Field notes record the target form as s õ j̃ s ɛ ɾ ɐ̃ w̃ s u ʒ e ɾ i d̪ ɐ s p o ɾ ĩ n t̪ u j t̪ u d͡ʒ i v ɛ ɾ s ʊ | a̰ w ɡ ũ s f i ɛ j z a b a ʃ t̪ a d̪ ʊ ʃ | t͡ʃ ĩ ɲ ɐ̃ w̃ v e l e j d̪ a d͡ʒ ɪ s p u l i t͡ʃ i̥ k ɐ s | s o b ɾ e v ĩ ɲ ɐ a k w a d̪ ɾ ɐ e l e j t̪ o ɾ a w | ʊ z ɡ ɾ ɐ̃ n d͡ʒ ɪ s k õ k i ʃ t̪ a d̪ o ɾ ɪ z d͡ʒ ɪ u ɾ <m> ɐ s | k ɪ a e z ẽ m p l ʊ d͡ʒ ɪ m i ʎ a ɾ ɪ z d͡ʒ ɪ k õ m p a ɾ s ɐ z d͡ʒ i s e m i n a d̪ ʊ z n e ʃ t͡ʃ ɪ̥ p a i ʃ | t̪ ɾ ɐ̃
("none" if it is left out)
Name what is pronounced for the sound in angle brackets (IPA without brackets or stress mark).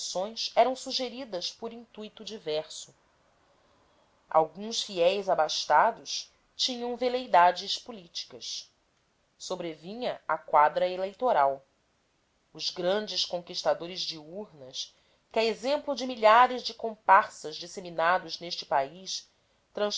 n